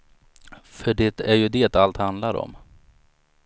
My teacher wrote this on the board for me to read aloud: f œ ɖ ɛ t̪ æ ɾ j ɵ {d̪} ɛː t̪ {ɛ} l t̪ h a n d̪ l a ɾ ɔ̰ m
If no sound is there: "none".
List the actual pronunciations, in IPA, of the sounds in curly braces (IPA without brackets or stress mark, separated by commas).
d̪, a